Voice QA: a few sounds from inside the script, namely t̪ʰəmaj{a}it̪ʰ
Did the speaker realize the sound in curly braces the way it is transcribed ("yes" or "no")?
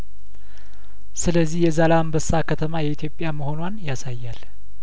no